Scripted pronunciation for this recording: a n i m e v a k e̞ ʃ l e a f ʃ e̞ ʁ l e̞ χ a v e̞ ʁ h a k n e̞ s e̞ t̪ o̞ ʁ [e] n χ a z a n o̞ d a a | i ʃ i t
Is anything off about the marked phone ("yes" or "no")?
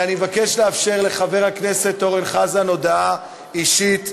no